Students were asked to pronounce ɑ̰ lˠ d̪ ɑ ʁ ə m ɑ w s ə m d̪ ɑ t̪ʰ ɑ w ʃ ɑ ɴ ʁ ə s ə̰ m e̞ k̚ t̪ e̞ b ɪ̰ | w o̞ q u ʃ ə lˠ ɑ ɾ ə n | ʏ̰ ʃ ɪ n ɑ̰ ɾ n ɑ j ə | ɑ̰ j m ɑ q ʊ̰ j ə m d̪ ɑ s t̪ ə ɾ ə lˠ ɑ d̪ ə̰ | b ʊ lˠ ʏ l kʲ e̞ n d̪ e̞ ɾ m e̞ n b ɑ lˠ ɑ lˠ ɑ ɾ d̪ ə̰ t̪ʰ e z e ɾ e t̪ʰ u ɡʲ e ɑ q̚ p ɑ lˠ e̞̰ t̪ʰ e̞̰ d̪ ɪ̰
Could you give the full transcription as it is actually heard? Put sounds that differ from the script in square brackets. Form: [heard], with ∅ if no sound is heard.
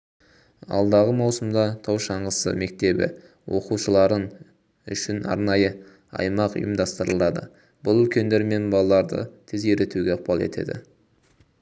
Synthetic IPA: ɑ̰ lˠ d̪ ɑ ʁ ə m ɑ w s ə m d̪ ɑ t̪ʰ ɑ w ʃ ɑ ɴ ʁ ə s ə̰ m e̞ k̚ t̪ e̞ b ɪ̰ | w o̞ q u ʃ ə lˠ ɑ ɾ ə n | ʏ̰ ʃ ɪ n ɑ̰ ɾ n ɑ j ə | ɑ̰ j m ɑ q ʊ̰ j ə m d̪ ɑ s t̪ ə ɾ ə lˠ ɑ d̪ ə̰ | b ʊ lˠ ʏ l kʲ e̞ n d̪ e̞ ɾ m e̞ n b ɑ lˠ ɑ lˠ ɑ ɾ d̪ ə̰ t̪ʰ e z e ɾ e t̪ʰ u ɡʲ e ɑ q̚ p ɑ lˠ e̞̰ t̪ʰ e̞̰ d̪ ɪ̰